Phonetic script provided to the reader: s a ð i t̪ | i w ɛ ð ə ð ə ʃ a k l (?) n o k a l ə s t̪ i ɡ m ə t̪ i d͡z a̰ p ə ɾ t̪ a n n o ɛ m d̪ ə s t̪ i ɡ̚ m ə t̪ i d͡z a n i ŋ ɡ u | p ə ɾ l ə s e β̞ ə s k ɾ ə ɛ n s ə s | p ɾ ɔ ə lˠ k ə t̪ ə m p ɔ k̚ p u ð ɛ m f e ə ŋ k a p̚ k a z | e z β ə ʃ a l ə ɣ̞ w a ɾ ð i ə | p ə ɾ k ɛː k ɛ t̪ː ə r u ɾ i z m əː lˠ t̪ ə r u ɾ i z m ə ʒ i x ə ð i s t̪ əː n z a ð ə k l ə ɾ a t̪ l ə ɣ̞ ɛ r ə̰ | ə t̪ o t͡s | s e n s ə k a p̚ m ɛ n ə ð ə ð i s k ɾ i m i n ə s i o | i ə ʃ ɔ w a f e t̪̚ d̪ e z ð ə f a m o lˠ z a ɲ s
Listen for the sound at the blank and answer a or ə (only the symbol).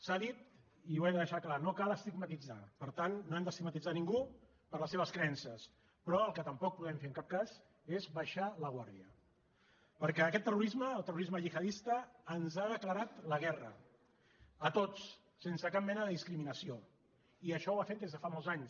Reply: a